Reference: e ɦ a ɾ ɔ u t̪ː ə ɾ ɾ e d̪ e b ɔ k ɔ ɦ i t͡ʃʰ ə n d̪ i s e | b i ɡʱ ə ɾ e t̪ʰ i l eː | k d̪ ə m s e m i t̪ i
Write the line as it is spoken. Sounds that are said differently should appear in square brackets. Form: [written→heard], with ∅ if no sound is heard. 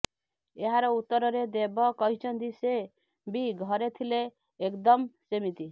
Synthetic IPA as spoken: e ɦ a ɾ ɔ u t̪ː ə ɾ ɾ e d̪ e b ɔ k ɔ ɦ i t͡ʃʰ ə n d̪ i s e | b i ɡʱ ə ɾ e t̪ʰ i l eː | k d̪ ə m s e m i t̪ i